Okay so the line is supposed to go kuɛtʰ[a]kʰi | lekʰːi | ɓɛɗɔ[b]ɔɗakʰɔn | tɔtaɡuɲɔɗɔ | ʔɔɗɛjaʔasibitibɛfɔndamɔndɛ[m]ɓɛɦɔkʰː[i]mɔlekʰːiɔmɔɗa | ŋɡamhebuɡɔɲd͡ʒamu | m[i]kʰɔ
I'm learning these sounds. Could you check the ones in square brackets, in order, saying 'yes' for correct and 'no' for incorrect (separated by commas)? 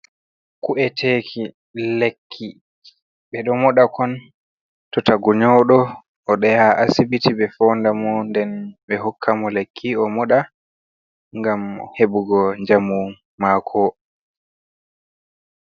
no, no, no, no, no